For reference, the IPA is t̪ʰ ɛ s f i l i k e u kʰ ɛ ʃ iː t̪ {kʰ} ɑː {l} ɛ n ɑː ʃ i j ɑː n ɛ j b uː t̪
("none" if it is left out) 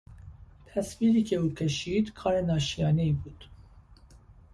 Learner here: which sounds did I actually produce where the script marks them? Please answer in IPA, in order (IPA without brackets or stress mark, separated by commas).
kʰ, ɾ